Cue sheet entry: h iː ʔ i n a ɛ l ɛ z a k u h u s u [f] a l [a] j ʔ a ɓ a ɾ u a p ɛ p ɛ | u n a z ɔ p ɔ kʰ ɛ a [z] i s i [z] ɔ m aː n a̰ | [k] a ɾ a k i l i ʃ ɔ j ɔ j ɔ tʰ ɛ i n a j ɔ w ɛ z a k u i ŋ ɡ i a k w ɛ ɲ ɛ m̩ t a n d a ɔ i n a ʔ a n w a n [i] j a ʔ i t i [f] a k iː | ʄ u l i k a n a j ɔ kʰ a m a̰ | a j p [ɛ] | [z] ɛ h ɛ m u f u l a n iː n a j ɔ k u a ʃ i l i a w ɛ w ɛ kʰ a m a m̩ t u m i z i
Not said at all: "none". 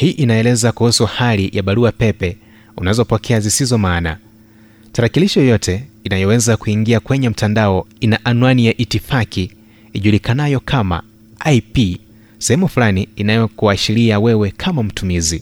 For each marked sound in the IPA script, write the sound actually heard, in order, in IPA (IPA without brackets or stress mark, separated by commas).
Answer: h, i, z, z, t, i, f, i, s